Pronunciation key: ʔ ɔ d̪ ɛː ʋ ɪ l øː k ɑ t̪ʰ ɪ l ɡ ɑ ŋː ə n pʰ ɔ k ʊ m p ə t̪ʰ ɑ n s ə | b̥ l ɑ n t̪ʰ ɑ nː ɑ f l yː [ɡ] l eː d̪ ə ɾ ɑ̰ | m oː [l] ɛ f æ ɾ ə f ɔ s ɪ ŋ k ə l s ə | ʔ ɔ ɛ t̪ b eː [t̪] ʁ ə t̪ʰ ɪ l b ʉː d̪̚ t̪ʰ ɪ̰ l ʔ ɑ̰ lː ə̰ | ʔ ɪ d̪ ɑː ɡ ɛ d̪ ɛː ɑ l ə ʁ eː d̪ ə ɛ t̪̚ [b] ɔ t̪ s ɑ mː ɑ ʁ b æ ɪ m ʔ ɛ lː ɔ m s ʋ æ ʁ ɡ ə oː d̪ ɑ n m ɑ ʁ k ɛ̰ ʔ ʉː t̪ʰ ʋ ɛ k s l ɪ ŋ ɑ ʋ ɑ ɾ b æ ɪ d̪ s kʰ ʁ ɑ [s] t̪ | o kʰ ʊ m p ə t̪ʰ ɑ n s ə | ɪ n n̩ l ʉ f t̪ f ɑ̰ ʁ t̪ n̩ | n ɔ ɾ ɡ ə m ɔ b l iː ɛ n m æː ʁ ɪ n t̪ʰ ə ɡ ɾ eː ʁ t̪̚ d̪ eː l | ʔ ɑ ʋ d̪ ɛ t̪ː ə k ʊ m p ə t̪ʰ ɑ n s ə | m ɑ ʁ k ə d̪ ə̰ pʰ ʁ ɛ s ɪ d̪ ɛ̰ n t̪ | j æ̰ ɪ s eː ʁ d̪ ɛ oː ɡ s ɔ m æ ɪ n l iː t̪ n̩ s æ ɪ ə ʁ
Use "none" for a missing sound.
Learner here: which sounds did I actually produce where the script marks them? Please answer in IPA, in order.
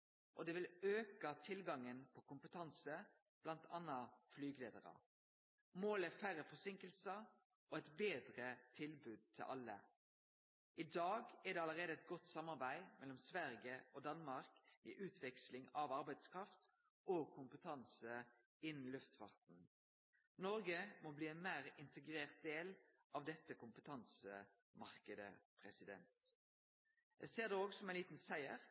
ɡ, l, d̪, ɡ, f

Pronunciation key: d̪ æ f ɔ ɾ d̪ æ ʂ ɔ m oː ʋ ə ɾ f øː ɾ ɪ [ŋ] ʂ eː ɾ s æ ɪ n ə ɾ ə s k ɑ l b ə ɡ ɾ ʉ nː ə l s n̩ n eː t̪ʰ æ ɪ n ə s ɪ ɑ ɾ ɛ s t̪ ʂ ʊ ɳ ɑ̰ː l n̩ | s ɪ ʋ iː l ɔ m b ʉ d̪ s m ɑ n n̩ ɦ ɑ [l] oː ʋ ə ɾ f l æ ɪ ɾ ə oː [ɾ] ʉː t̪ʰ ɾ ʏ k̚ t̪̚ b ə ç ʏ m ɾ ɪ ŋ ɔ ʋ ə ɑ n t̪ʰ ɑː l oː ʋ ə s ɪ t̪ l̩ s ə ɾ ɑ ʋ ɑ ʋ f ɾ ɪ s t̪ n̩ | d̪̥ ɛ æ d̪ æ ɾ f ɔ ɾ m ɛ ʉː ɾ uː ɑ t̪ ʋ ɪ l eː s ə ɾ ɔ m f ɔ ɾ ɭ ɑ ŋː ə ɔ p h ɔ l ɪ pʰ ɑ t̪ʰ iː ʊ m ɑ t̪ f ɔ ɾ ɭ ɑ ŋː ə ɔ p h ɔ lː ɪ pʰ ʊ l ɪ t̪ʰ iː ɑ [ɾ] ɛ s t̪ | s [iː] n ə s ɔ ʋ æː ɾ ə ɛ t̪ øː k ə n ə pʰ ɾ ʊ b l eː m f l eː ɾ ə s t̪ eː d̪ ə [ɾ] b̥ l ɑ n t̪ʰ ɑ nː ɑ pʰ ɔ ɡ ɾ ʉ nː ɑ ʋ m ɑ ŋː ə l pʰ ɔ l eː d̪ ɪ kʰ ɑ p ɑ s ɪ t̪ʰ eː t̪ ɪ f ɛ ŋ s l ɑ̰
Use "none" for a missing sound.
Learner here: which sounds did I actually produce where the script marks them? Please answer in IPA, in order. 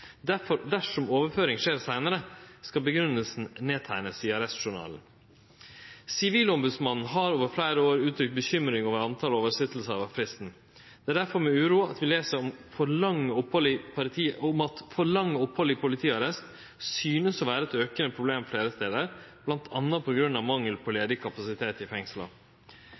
ŋ, ɾ, ɾ, ɾ, yː, ɾ

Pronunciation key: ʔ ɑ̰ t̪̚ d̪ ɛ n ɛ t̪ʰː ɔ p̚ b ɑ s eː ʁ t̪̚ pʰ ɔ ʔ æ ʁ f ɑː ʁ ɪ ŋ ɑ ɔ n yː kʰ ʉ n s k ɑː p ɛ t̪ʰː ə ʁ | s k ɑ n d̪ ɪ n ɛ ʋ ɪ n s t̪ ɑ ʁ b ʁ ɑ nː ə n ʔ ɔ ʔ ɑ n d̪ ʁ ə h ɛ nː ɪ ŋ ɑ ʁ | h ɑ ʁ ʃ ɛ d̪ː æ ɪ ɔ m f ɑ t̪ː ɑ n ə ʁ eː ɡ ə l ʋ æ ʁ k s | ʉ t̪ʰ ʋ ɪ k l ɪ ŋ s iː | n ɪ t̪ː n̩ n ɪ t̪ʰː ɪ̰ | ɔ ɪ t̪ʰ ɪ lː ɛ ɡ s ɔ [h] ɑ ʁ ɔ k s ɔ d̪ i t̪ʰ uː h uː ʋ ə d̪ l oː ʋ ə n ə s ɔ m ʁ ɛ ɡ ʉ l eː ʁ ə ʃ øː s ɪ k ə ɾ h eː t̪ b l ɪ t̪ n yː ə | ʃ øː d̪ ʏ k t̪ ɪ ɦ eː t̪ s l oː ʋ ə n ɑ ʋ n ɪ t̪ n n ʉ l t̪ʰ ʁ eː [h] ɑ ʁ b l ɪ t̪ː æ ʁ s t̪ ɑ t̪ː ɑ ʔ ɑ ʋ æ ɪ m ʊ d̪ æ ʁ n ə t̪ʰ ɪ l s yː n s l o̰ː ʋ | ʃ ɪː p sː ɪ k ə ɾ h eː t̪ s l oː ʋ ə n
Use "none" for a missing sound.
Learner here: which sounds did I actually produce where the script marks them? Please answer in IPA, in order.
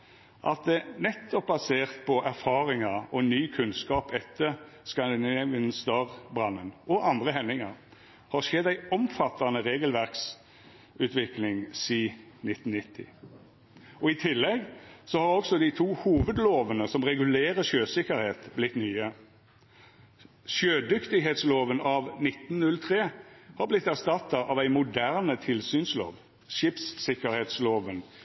h, h

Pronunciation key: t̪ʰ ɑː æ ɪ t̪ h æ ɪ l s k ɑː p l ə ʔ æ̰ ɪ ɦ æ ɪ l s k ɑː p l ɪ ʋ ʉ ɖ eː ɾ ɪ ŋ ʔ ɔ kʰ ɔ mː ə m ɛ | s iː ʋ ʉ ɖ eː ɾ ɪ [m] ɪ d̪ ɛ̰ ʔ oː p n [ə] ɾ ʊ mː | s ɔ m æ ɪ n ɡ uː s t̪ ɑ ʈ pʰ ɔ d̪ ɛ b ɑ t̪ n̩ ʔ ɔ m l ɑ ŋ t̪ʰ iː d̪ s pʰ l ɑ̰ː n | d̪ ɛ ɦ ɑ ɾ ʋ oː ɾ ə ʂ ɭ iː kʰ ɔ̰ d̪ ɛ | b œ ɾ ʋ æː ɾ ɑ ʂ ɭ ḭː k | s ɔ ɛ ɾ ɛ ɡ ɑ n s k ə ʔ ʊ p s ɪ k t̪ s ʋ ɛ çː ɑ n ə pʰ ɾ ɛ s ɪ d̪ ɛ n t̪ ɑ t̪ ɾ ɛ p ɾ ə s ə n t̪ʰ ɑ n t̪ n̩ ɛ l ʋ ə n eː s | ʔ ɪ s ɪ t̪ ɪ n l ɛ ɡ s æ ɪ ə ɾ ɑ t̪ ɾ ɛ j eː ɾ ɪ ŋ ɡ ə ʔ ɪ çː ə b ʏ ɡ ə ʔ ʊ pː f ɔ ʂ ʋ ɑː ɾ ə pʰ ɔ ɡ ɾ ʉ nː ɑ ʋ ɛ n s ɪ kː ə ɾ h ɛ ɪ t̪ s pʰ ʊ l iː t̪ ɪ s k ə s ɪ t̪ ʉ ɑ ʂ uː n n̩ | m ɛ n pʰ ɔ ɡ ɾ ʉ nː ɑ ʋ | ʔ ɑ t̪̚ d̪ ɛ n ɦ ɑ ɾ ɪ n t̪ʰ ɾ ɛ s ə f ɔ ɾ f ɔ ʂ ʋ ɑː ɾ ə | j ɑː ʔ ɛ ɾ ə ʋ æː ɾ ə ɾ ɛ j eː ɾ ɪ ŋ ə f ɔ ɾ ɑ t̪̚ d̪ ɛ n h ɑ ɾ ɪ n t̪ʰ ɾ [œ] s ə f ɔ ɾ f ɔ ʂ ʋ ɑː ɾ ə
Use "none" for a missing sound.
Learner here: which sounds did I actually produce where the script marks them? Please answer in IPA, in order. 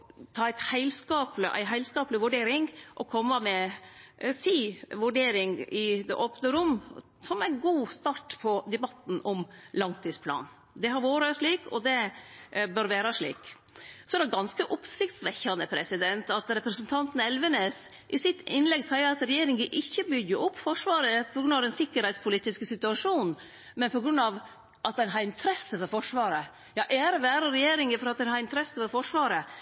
ŋ, ə, ɛ

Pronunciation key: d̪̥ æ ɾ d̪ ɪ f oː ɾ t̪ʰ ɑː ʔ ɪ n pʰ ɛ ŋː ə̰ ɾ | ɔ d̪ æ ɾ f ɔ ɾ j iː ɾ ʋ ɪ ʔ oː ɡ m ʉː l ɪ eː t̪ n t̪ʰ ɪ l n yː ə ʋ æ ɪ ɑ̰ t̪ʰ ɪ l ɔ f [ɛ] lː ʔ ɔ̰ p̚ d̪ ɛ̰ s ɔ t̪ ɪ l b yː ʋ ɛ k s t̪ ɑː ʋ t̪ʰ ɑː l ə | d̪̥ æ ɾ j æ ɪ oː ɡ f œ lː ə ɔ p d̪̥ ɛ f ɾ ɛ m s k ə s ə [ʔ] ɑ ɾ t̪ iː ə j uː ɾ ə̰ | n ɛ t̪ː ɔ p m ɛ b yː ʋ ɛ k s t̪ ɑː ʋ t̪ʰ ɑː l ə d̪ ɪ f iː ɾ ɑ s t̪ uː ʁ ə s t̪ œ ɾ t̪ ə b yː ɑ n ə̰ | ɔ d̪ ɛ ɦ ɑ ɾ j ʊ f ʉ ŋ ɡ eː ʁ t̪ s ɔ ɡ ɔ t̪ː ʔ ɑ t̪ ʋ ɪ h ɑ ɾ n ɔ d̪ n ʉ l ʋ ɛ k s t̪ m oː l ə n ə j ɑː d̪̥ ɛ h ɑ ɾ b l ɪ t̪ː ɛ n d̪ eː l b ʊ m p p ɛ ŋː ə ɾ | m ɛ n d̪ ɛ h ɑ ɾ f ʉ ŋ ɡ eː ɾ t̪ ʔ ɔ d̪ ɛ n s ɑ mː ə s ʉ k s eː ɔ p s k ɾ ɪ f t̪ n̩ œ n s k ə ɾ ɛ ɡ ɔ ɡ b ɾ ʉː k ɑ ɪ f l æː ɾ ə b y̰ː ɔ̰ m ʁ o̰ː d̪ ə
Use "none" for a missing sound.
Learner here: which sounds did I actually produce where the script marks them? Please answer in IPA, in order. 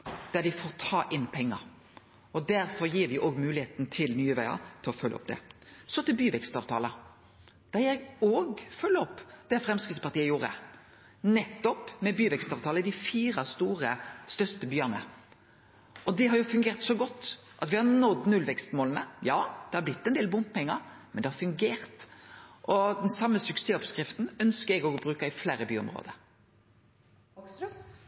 œ, p

